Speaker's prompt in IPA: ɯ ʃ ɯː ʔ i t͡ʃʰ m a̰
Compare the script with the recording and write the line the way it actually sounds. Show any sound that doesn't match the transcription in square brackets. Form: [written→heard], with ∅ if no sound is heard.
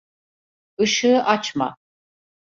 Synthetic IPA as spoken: ɯ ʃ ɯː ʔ [i→a] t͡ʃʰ m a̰